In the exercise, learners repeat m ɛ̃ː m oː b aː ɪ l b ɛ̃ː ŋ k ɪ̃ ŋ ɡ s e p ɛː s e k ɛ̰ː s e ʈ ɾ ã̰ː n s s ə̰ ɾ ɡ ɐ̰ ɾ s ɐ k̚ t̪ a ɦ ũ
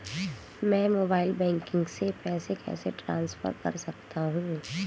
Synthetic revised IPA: m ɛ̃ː m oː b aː ɪ l b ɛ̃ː ŋ k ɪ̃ ŋ ɡ s e p ɛː s e k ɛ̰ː s e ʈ ɾ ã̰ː n s f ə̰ ɾ k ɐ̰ ɾ s ɐ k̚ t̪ a ɦ ũ